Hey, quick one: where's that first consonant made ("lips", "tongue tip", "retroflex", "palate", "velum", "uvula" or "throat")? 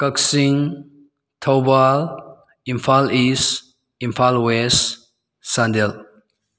velum